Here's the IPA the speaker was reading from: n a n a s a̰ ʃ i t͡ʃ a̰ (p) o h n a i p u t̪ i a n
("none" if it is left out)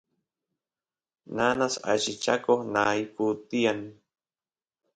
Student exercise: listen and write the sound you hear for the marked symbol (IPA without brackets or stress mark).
k